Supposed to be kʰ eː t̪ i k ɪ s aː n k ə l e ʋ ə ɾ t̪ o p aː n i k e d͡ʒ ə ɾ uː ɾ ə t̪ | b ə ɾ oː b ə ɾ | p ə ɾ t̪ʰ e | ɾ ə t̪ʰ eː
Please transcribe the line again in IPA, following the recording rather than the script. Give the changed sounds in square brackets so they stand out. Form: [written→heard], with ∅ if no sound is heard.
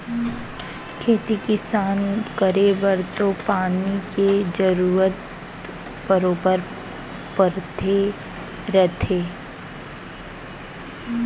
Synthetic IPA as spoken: kʰ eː t̪ i k ɪ s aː n k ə [l→ɾ] e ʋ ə ɾ t̪ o p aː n i k e d͡ʒ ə ɾ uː ɾ ə t̪ | b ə ɾ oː b ə ɾ | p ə ɾ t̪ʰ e | ɾ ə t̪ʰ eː